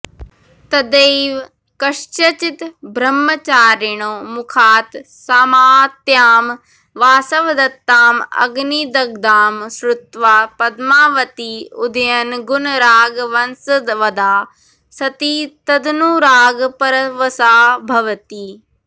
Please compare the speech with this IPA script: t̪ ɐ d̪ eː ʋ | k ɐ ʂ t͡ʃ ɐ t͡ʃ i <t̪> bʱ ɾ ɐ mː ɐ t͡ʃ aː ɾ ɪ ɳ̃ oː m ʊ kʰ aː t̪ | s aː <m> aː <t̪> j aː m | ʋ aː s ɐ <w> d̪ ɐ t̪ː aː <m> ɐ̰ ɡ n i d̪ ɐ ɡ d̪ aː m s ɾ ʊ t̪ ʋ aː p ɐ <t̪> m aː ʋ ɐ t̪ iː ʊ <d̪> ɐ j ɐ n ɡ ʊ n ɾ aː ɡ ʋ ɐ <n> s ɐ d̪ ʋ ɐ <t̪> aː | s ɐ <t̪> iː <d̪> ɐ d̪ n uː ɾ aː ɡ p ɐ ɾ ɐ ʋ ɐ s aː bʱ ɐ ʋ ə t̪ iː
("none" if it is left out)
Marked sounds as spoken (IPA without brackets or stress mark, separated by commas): t̪, m, t̪, ʋ, m, d̪, d̪, n, d̪, t̪, t̪